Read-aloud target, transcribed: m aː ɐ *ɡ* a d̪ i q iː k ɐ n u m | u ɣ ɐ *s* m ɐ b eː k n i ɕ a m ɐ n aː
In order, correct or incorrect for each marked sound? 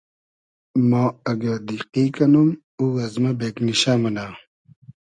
correct, incorrect: z

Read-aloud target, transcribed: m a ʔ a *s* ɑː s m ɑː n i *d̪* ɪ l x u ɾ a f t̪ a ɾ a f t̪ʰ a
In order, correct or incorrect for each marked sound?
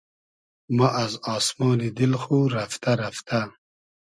incorrect: z, correct

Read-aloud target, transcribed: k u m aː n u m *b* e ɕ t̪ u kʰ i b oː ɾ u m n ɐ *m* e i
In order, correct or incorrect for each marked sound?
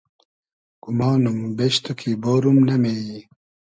correct, correct

